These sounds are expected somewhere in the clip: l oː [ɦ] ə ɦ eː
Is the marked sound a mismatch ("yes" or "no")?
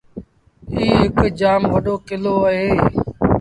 yes